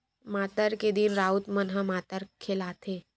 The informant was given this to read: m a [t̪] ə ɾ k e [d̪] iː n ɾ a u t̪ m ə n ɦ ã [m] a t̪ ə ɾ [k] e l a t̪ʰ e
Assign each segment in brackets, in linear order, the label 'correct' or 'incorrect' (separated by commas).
correct, correct, correct, incorrect